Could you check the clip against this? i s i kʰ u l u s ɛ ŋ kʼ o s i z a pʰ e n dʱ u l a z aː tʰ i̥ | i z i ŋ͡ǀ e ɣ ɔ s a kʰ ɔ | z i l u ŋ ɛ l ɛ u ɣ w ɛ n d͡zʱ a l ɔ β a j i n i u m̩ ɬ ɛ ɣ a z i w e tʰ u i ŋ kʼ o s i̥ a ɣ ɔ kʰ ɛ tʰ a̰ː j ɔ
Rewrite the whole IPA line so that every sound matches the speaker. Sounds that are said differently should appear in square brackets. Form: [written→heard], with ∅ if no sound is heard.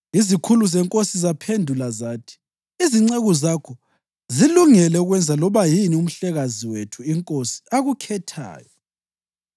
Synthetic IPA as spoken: i [s→z] i kʰ u l u [s→z] ɛ ŋ kʼ o s i z a pʰ e n dʱ u l a z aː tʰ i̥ | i z i ŋ͡ǀ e ɣ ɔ [s→z] a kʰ ɔ | z i l u ŋ ɛ l ɛ u ɣ w ɛ n d͡zʱ a l ɔ β a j i n i u m̩ ɬ ɛ ɣ a z i w e tʰ u i ŋ kʼ o s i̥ a ɣ [ɔ→u] kʰ ɛ tʰ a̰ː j ɔ